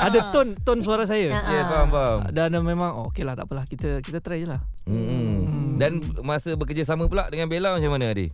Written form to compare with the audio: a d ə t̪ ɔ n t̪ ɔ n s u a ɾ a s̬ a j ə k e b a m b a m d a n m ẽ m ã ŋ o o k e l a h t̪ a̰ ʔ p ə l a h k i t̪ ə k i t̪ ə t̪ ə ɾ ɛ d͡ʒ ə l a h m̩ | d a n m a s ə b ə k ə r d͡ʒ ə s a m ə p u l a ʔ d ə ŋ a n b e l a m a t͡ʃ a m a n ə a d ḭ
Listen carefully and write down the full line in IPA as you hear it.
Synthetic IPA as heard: a d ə t̪ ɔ n t̪ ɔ n s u a ɾ a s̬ a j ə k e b a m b a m d a n m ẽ m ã ŋ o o k e l a h t̪ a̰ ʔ p ə l a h k i t̪ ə k i t̪ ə t̪ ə ɾ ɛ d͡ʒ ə l a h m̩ | d a n m a s ə b ə k ə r d͡ʒ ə s a m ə p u l a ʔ d ə ŋ a n b e l a m a t͡ʃ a m a n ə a d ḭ